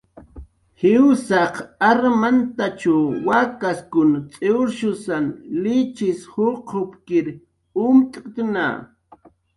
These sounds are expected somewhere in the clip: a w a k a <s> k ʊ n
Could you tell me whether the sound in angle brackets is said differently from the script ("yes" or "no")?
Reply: no